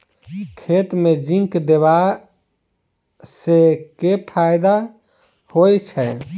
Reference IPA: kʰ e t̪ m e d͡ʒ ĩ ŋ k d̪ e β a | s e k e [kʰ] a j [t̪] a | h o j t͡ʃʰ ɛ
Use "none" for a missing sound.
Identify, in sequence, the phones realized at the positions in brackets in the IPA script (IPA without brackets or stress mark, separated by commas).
pʰ, d̪